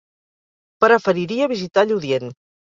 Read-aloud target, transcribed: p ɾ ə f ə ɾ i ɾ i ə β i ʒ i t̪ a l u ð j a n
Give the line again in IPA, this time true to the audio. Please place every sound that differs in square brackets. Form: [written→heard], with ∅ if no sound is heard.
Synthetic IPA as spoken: p ɾ ə f ə ɾ i ɾ i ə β i [ʒ→z] i t̪ a [l→ʎ] u ð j [a→e] n